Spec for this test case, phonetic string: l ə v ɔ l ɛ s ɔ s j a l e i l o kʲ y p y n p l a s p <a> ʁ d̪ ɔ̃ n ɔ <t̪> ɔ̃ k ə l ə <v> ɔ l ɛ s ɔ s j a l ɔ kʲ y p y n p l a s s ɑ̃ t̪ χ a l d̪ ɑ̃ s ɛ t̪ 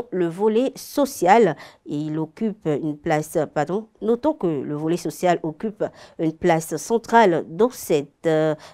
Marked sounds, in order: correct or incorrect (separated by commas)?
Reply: correct, correct, correct